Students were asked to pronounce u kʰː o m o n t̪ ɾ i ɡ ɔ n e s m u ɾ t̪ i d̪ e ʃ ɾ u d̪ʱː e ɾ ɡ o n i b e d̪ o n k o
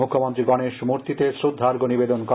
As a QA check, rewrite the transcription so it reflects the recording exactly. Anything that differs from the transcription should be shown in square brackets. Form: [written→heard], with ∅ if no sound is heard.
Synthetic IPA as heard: u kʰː o m o n t̪ ɾ i ɡ ɔ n e [s→ʃ] m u ɾ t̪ i [d̪→t̪] e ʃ ɾ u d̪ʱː [e→a] ɾ ɡ o n i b e d̪ o n k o